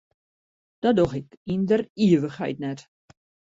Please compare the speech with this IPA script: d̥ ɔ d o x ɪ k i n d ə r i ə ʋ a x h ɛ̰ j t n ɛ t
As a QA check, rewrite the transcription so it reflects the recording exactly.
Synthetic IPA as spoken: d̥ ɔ d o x ɪ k i n d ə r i ə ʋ ə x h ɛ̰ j t n ɛ t